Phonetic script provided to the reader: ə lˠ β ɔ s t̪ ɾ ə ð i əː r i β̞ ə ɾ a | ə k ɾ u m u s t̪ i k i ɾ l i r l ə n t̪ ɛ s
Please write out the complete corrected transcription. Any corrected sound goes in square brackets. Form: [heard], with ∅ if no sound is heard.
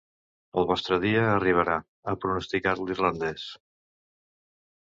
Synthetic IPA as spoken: ə lˠ β ɔ s t̪ ɾ ə ð i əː r i β̞ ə ɾ a | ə [p] ɾ u [n] u s t̪ i k [a] ɾ l i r l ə n [d̪] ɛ s

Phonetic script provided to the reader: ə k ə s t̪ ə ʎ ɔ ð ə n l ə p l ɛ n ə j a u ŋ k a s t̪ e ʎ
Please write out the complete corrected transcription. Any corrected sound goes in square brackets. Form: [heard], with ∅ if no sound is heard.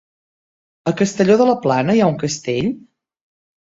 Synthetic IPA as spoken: ə k ə s t̪ ə ʎ [o] ð ə [∅] l ə p l [a] n ə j a u ŋ k [ə] s t̪ e ʎ

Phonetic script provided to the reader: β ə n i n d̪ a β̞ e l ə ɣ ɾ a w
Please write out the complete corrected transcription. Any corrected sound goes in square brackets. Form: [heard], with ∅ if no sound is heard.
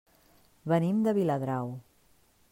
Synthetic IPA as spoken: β ə n i [m] d̪ [ə] β̞ [i] l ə [ð] ɾ a w

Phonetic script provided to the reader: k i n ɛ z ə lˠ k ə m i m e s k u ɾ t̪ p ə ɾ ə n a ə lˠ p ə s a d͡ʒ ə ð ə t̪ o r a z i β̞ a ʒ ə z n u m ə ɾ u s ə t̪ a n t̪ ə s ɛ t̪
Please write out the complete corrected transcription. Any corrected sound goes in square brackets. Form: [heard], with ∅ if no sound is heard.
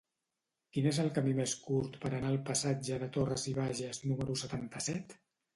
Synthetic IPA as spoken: k i n [e] z ə lˠ k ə m i m e s k u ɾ t̪ p ə ɾ ə n a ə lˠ p ə s a d͡ʒ ə ð ə t̪ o r [ə] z i β̞ a ʒ ə z n u m ə ɾ u s ə t̪ a n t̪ ə s ɛ t̪

